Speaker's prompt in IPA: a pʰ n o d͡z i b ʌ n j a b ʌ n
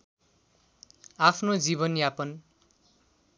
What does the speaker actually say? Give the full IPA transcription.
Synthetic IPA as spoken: a pʰ n o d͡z i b ʌ n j a p ʌ n